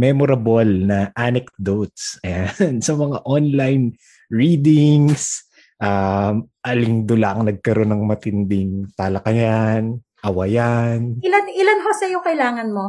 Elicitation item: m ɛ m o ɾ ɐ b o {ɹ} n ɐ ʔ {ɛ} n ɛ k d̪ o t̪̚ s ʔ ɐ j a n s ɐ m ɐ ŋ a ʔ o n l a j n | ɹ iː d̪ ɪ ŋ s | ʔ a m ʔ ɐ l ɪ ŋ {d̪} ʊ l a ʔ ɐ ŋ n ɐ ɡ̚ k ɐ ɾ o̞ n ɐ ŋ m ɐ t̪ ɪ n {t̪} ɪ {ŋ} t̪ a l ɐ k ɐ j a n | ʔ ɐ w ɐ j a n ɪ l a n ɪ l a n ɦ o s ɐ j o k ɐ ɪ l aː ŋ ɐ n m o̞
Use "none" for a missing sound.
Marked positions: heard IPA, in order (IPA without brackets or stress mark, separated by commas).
l, a, d̪, d̪, ŋ